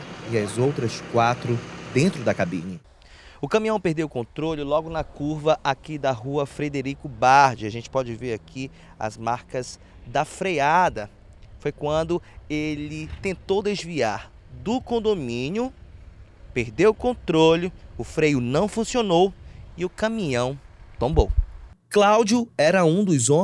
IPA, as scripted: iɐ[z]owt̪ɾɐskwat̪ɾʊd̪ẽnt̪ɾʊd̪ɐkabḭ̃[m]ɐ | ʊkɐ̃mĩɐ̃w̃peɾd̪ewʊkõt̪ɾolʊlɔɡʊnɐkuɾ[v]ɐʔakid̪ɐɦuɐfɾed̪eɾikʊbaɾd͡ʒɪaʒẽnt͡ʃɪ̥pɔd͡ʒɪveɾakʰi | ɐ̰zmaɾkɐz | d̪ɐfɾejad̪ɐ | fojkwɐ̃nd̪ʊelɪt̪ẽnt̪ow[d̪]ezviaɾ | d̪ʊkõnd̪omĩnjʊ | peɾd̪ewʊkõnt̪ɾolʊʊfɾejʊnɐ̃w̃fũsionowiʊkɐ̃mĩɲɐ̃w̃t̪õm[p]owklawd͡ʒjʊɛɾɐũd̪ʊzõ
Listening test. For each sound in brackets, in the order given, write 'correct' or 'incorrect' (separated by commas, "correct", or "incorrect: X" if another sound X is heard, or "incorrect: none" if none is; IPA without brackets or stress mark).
correct, incorrect: ɲ, correct, correct, incorrect: b